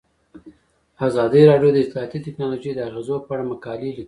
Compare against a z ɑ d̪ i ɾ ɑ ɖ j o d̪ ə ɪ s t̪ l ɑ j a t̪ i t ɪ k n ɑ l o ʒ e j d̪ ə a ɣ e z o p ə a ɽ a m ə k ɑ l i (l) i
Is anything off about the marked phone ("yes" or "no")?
no